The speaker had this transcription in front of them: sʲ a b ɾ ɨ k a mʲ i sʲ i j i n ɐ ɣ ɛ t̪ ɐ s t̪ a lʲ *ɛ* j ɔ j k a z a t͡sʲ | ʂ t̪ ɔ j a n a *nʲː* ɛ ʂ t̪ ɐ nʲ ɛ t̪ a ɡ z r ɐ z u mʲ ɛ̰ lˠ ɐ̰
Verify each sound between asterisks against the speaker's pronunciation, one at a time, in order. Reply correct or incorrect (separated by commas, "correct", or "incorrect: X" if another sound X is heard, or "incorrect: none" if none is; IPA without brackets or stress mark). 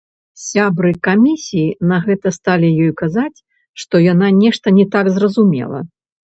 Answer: incorrect: i, incorrect: nʲ